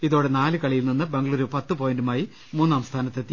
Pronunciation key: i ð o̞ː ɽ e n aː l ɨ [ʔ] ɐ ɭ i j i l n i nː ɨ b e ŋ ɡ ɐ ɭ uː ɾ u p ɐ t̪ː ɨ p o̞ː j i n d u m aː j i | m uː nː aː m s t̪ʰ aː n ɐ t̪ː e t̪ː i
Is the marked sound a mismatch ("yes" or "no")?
yes